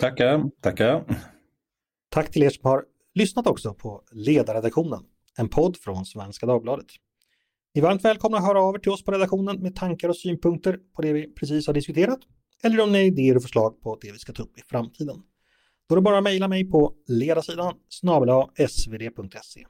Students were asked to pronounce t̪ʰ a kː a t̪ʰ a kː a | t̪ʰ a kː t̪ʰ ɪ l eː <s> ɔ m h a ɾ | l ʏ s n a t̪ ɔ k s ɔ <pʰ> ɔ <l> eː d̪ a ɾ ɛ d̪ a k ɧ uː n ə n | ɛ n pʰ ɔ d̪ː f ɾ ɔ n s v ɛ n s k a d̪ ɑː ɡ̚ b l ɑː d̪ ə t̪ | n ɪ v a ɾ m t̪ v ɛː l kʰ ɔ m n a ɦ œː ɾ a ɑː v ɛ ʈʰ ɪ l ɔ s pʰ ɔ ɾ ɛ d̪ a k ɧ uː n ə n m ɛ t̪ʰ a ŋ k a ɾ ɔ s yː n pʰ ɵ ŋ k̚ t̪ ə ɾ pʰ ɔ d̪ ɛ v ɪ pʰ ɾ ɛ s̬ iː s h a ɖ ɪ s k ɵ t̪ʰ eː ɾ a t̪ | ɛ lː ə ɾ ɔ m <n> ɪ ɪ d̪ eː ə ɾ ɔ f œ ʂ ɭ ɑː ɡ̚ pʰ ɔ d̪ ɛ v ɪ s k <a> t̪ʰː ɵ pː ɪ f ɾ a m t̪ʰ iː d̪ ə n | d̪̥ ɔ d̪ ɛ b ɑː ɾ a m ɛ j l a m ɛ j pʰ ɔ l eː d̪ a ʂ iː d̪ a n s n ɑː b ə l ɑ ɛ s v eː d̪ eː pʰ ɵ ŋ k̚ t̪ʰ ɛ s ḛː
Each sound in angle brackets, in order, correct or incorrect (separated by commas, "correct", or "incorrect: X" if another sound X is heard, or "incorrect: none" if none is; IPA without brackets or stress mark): incorrect: ʂ, correct, correct, correct, correct